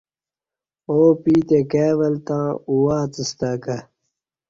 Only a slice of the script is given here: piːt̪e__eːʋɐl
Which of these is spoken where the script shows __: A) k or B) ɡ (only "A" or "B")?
A